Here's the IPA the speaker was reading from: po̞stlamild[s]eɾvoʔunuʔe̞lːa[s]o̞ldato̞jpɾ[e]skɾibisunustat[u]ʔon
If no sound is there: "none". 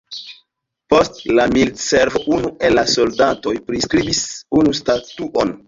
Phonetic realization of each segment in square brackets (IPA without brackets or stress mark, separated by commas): s, s, i, u